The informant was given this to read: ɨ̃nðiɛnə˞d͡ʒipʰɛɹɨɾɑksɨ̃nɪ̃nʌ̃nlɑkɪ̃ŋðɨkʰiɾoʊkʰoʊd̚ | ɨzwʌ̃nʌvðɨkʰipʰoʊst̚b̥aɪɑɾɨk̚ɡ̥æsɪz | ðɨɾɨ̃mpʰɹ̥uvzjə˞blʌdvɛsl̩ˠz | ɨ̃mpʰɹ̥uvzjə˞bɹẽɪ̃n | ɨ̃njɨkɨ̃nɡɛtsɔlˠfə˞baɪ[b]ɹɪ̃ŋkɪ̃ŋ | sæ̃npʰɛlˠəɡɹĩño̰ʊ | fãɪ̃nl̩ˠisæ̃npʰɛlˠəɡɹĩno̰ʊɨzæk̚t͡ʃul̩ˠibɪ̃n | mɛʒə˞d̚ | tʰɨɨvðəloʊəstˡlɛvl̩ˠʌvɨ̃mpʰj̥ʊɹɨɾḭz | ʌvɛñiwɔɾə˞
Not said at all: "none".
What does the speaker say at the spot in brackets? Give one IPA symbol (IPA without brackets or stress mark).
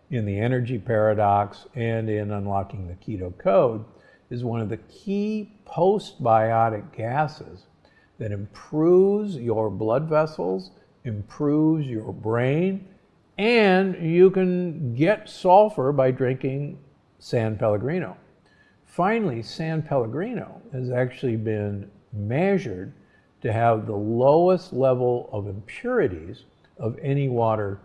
d